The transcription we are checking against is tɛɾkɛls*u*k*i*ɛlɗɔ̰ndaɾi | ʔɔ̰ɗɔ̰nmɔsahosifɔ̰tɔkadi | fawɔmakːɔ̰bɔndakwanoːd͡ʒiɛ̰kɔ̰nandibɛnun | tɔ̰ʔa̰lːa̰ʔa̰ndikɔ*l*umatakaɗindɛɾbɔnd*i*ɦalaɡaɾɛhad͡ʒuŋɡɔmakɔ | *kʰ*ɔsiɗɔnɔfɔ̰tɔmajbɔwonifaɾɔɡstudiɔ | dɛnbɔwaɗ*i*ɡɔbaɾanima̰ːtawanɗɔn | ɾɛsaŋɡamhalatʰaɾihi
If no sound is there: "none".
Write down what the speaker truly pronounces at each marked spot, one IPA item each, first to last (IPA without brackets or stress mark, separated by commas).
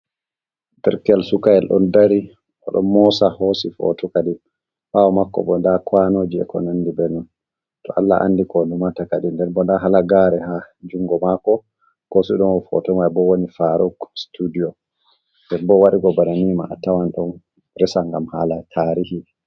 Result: u, a, l, a, k, i